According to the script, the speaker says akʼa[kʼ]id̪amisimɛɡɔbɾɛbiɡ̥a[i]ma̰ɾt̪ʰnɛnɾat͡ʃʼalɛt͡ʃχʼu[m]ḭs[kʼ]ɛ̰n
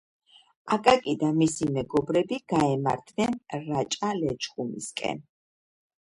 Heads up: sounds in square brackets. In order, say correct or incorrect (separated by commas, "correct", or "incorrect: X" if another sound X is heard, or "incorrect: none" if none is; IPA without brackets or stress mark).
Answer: correct, incorrect: ɛ, correct, correct